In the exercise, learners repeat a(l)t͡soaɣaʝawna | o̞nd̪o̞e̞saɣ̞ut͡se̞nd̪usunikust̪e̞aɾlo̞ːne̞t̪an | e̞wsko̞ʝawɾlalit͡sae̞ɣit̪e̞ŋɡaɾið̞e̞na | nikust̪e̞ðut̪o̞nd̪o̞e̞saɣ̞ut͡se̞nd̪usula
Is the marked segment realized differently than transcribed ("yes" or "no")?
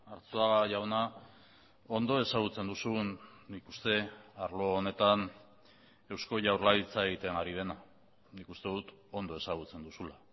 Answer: yes